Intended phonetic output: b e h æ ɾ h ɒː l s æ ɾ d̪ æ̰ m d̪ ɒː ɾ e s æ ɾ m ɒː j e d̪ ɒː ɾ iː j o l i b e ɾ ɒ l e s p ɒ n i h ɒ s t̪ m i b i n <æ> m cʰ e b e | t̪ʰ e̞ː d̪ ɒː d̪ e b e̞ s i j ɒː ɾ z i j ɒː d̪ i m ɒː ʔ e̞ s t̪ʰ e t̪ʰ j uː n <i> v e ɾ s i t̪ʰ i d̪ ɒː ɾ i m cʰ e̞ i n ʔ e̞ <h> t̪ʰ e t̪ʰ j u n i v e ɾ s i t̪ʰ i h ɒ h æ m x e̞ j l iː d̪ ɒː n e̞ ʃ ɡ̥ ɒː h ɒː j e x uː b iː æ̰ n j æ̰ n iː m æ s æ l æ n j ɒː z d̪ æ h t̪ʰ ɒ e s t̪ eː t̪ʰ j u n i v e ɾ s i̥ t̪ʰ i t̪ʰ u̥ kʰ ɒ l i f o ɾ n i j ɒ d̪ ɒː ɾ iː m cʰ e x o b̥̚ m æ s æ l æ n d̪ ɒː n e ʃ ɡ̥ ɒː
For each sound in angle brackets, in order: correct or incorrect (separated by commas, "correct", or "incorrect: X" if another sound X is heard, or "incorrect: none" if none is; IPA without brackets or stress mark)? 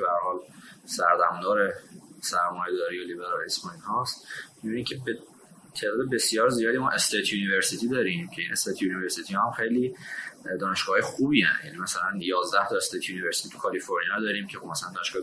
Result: incorrect: i, correct, incorrect: s